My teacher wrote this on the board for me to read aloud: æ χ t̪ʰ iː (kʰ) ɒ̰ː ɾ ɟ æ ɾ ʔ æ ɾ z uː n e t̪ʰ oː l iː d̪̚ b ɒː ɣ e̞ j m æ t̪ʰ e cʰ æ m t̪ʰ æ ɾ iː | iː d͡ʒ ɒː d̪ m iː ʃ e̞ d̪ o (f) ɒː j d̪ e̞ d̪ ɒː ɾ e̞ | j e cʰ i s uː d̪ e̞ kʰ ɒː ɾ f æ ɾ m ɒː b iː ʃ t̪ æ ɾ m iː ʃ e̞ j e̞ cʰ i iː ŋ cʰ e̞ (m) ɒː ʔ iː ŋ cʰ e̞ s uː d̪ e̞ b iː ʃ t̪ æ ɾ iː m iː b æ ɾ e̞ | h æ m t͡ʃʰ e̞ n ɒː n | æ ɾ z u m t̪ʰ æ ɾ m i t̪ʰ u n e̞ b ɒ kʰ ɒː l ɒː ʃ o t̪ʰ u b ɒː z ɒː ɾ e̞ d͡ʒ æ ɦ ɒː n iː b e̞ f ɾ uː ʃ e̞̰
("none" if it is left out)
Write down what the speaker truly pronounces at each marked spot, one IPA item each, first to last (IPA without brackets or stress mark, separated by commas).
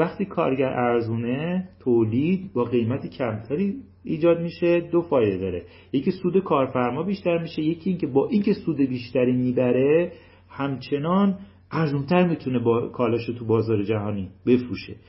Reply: kʰ, f, b